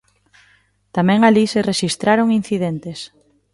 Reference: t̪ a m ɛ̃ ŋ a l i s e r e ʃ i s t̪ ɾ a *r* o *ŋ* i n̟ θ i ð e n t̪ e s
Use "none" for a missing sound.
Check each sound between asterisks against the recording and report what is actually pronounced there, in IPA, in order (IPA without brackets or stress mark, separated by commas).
ɾ, ŋ